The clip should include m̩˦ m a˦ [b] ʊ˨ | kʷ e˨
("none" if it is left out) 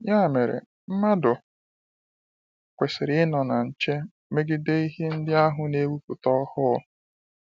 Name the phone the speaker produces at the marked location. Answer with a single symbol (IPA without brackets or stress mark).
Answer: d